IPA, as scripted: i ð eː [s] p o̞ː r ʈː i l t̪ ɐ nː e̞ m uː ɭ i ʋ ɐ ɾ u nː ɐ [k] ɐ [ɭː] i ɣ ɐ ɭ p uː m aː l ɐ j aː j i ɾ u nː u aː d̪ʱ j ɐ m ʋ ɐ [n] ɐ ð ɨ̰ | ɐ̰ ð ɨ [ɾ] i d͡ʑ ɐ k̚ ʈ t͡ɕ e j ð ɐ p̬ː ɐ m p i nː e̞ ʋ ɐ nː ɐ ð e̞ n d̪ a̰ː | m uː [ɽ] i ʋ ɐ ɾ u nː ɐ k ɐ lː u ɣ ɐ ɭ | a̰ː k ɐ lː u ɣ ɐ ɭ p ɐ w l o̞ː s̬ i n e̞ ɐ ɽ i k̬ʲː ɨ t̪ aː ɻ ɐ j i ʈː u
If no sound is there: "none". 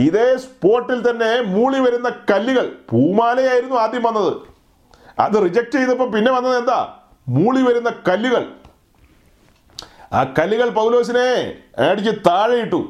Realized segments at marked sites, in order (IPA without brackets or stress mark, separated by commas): s, k, lː, nː, r, ɭ